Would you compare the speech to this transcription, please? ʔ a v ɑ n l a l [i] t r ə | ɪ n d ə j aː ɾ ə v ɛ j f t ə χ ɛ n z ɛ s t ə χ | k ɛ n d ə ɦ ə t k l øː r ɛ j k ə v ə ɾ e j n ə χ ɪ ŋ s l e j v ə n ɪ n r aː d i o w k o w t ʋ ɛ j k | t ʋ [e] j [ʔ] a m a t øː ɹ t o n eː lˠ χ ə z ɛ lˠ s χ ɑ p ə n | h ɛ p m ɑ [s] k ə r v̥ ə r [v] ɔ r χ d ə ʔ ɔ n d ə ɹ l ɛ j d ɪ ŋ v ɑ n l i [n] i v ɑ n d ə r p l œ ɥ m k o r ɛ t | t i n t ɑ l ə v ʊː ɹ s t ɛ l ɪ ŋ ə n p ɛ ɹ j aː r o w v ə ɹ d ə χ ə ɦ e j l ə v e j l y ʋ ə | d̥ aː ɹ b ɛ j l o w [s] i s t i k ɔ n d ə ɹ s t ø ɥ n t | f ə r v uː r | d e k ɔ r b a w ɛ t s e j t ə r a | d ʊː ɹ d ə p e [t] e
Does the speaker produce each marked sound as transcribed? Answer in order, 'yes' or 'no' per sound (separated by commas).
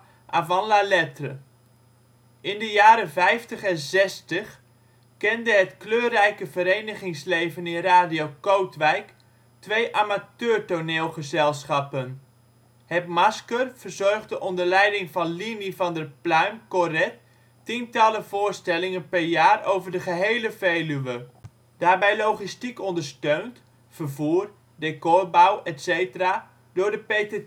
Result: no, yes, yes, yes, no, yes, no, yes